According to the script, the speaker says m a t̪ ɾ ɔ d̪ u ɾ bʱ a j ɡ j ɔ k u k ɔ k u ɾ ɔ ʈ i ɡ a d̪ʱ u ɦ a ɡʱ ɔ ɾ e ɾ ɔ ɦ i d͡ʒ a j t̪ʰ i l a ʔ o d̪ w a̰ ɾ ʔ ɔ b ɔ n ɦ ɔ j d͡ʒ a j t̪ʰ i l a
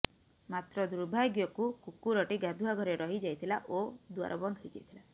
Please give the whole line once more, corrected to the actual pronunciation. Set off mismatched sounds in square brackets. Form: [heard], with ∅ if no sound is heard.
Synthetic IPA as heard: m a t̪ ɾ ɔ d̪ u ɾ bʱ a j ɡ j ɔ k u k [u] k u ɾ ɔ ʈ i ɡ a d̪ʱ u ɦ a ɡʱ ɔ ɾ e ɾ ɔ ɦ i d͡ʒ a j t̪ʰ i l a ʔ o d̪ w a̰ ɾ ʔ ɔ b ɔ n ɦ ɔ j d͡ʒ a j t̪ʰ i l a

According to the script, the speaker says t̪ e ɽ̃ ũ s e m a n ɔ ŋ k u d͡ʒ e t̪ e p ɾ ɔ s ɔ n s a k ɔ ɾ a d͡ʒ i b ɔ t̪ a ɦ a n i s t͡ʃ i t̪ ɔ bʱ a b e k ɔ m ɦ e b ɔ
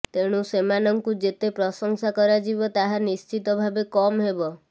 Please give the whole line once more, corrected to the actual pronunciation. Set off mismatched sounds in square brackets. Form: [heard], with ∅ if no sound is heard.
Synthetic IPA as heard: t̪ e ɽ̃ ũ s e m a n ɔ ŋ k u d͡ʒ e t̪ e p ɾ ɔ s ɔ [ŋ] s a k ɔ ɾ a d͡ʒ i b ɔ t̪ a ɦ a n i s t͡ʃ i t̪ ɔ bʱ a b e k ɔ m ɦ e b ɔ

